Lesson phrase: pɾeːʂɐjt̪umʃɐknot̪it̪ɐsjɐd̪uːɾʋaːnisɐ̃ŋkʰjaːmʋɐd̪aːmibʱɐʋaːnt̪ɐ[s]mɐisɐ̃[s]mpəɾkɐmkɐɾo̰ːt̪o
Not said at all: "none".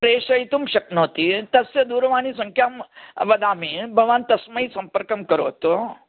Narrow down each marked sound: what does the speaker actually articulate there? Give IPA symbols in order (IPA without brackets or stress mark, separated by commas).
s, none